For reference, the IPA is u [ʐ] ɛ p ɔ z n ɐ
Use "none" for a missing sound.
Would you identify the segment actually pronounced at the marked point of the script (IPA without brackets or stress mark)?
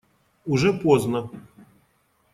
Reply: ʐ